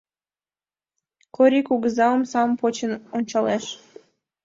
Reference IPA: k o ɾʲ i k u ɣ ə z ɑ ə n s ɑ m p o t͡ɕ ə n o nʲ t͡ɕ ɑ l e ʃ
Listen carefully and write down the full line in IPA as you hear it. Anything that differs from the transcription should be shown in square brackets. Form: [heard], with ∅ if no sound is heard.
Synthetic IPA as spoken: k o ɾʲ i k u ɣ ə z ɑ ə [m] s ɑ m p o t͡ɕ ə n o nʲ t͡ɕ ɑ l e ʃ